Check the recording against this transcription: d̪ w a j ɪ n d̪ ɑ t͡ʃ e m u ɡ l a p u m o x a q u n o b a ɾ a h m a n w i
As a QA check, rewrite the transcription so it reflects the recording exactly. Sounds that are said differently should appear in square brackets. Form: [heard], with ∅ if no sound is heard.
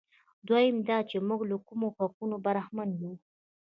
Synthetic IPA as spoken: d̪ w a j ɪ [m] d̪ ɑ t͡ʃ e m u ɡ l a [k] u m o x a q u n o b a ɾ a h m a n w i